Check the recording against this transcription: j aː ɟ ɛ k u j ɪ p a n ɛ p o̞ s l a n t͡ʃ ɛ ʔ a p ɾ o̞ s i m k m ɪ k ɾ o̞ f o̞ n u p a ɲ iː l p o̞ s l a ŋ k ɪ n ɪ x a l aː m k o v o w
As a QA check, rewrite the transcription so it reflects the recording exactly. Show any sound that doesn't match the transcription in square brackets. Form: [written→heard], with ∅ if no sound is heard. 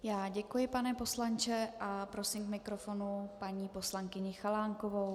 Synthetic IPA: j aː ɟ ɛ k u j ɪ p a n ɛ p o̞ s l a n t͡ʃ ɛ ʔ a p ɾ o̞ s i m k m ɪ k ɾ o̞ f o̞ n u p a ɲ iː [l→∅] p o̞ s l a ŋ k ɪ [n→ɲ] ɪ x a l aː [m→ŋ] k o v o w